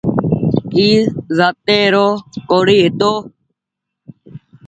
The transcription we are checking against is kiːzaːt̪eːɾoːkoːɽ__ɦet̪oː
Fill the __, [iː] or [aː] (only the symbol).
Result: iː